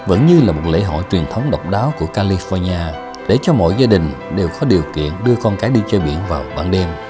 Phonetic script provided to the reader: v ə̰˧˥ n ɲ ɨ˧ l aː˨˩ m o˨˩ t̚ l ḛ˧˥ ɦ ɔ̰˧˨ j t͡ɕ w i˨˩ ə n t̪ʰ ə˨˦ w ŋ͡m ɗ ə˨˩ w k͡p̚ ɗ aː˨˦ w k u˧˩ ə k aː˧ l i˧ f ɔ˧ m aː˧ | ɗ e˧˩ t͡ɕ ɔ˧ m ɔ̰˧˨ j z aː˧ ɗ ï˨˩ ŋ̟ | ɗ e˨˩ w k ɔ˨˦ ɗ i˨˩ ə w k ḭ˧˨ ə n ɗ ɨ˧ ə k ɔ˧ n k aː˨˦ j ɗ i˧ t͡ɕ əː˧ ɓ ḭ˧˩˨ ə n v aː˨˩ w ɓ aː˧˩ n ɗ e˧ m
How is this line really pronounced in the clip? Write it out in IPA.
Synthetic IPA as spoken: v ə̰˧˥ n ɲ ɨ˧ l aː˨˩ m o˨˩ t̚ l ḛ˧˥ ɦ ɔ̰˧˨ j t͡ɕ w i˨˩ ə n t̪ʰ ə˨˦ w ŋ͡m ɗ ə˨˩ w k͡p̚ ɗ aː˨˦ w k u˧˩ ə k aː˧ l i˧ f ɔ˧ ɲ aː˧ | ɗ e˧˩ t͡ɕ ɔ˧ m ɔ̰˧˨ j z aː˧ ɗ ï˨˩ ŋ̟ | ɗ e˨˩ w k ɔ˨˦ ɗ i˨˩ ə w k ḭ˧˨ ə n ɗ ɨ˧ ə k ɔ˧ n k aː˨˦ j ɗ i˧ t͡ɕ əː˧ ɓ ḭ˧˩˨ ə n v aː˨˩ w ɓ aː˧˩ n ɗ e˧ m

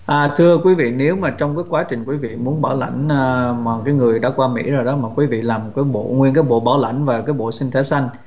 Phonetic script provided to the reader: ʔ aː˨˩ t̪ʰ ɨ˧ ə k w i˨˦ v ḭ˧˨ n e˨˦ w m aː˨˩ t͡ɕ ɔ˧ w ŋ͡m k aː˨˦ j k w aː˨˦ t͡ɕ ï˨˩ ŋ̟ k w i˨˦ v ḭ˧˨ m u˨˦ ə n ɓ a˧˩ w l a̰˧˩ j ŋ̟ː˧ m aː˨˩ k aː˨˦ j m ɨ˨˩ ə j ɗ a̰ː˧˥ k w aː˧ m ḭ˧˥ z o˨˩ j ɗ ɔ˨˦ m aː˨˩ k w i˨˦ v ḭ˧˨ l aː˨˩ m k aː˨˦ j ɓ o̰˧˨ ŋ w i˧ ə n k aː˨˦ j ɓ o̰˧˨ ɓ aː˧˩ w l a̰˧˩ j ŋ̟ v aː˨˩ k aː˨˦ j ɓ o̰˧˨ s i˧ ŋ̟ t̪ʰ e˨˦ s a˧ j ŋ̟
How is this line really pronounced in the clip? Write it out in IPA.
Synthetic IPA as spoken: ʔ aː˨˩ t̪ʰ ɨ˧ ə k w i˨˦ v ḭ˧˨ n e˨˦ w m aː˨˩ t͡ɕ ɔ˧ w ŋ͡m k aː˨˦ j k w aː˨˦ t͡ɕ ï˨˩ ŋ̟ k w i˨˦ v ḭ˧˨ m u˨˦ ə n ɓ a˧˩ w l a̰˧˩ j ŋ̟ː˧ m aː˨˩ k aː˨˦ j ŋ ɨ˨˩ ə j ɗ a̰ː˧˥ k w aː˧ m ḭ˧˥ z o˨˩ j ɗ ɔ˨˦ m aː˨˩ k w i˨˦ v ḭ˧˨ l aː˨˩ m k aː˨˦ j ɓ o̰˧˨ ŋ w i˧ ə n k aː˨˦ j ɓ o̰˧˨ ɓ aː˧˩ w l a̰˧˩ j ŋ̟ v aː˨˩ k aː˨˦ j ɓ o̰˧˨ s i˧ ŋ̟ t̪ʰ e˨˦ s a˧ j ŋ̟

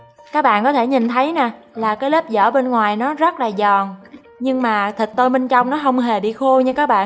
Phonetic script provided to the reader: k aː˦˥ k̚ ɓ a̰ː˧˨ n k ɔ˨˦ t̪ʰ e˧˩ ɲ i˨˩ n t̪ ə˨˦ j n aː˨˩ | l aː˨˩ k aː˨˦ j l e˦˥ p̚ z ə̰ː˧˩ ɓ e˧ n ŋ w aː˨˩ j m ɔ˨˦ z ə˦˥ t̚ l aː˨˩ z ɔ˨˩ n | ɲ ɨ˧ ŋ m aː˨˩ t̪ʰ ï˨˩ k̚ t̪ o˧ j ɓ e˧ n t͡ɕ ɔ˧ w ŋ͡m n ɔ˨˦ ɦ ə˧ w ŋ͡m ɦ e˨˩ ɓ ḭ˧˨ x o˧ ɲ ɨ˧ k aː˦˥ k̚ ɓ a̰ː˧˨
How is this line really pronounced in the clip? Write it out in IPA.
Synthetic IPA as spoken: k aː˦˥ k̚ ɓ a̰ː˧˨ n k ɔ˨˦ t̪ʰ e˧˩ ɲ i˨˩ n t̪ʰ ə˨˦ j n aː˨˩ | l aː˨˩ k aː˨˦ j l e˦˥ p̚ z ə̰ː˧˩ ɓ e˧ n ŋ w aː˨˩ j n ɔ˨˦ z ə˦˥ t̚ l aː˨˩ z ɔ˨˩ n | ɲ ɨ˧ ŋ m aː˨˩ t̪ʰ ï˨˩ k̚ t̪ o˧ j ɓ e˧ n t͡ɕ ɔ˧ w ŋ͡m n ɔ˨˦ ɦ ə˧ w ŋ͡m ɦ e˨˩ ɓ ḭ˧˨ x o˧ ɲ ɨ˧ k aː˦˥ k̚ ɓ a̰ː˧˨

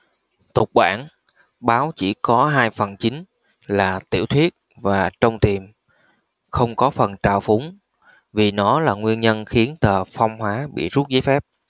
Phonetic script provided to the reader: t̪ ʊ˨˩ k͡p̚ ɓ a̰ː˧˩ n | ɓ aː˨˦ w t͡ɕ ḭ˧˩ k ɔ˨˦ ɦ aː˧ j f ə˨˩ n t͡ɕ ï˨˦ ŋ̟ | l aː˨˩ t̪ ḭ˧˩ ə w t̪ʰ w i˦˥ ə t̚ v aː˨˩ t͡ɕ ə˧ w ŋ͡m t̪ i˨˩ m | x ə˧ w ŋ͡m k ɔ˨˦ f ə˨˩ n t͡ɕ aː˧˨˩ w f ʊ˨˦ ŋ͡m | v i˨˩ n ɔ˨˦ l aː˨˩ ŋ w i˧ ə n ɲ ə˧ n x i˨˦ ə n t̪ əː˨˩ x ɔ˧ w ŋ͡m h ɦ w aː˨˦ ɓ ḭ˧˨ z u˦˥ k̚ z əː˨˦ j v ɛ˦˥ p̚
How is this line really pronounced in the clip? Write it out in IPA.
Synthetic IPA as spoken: t̪ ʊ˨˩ k͡p̚ ɓ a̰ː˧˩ n | ɓ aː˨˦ w t͡ɕ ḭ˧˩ k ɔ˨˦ ɦ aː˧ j f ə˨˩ n t͡ɕ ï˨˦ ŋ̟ | l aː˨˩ t̪ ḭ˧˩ ə w t̪ʰ w i˦˥ ə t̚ v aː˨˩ t͡ɕ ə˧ w ŋ͡m t̪ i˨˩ m | x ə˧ w ŋ͡m k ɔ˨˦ f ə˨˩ n t͡ɕ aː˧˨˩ w f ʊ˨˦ ŋ͡m | v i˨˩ n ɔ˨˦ l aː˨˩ ŋ w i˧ ə n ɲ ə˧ n x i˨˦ ə n t̪ əː˨˩ f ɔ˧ w ŋ͡m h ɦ w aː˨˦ ɓ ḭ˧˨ z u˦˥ t̚ z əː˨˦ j f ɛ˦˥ p̚

